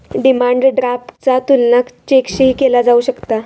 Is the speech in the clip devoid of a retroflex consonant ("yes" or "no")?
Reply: no